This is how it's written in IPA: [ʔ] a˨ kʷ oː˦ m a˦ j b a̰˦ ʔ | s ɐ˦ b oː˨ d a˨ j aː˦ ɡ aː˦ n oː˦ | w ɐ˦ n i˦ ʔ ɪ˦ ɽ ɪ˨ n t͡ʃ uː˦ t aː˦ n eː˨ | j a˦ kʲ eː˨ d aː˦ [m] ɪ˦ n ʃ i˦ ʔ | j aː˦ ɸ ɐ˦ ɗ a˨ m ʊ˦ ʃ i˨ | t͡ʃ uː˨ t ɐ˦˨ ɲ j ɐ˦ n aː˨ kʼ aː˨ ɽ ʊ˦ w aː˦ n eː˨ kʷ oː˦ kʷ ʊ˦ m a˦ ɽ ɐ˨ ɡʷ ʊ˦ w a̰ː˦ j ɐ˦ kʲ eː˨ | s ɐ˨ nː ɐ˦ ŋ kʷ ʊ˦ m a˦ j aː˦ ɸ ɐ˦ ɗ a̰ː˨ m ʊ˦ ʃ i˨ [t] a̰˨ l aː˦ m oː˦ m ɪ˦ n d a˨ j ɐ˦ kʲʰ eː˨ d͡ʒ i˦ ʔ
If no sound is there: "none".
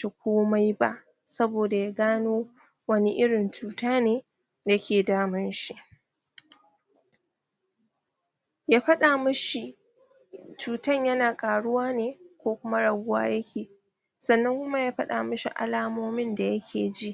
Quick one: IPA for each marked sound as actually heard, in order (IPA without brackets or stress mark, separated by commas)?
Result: t, m, ʔ